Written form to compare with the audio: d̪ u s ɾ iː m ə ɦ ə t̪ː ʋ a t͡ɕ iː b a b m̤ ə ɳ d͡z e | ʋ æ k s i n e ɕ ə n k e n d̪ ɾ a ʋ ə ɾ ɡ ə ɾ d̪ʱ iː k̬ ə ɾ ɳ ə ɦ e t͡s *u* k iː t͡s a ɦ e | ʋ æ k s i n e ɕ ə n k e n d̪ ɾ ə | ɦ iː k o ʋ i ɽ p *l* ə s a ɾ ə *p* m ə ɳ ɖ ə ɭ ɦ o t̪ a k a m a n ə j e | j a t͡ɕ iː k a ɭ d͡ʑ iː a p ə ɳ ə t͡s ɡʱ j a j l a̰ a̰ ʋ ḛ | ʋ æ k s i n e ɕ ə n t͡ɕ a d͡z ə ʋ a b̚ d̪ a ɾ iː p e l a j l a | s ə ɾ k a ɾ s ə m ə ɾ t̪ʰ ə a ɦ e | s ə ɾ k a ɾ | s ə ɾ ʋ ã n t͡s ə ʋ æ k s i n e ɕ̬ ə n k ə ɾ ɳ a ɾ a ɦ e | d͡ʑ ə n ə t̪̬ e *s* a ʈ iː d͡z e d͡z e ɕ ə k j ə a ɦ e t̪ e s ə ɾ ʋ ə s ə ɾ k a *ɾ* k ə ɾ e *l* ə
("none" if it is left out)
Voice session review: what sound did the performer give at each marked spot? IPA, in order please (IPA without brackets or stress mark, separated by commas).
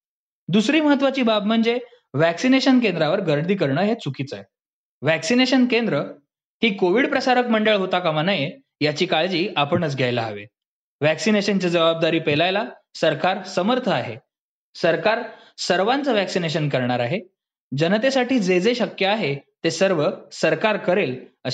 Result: u, ɾ, k, s, ɾ, l